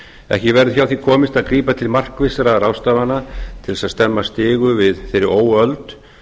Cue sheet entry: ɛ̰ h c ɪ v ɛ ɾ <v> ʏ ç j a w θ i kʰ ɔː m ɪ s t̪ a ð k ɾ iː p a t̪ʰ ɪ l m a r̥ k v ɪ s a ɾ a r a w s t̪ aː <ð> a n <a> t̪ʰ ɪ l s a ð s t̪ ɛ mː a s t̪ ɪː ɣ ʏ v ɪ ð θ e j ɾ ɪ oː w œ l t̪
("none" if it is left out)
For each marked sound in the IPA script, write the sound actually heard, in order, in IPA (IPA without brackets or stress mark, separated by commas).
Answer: ð, v, a